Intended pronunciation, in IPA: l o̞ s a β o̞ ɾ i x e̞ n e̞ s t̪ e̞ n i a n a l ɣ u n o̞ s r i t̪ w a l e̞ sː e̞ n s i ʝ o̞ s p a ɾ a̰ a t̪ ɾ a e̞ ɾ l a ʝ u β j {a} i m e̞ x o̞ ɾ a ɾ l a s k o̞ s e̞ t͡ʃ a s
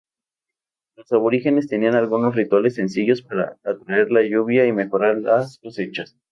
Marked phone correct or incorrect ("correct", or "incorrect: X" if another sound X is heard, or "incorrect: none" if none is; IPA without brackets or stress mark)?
correct